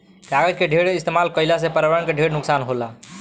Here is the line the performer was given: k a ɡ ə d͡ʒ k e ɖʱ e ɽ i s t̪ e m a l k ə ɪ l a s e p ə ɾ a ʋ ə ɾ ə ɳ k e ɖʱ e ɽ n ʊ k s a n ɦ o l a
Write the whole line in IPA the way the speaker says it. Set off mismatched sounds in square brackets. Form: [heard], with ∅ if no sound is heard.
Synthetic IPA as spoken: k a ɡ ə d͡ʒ k e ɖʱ e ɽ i s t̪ e m a l k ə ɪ l a s e p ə ɾ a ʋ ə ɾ ə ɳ k e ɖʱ e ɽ n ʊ k s a n ɦ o l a